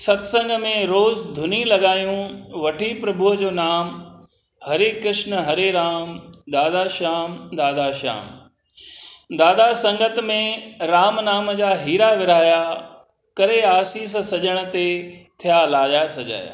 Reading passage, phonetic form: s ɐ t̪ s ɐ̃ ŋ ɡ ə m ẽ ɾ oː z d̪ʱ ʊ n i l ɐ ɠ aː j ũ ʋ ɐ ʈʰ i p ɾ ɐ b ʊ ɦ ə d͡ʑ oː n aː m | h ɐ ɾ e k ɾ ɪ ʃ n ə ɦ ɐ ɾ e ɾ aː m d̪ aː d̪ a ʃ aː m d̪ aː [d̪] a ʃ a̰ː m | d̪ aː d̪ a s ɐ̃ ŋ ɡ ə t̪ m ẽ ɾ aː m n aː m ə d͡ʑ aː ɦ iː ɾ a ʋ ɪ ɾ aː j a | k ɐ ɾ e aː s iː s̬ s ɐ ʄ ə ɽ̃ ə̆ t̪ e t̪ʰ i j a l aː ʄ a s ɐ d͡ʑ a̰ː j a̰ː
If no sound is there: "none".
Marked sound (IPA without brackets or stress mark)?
d̪